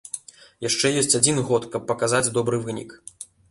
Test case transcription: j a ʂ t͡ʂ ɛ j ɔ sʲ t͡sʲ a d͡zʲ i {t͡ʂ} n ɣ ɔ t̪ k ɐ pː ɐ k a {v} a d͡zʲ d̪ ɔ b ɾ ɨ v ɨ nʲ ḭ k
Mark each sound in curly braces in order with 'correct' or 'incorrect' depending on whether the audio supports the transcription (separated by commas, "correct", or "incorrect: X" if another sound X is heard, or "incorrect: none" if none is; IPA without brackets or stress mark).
incorrect: none, incorrect: z